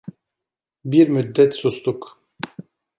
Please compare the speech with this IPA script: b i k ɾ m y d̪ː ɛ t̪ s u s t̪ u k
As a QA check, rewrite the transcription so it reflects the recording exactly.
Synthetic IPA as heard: b i ɾ m y d̪ː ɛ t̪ s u s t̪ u k